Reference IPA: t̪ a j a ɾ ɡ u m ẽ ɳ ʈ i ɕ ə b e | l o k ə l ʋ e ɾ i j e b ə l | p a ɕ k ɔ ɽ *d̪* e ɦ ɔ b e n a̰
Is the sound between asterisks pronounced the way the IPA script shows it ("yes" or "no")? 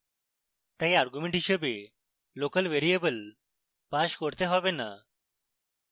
no